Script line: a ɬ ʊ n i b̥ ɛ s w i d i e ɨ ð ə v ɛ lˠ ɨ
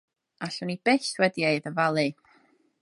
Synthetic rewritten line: a ɬ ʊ n i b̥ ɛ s w ɛ d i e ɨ ð ə v a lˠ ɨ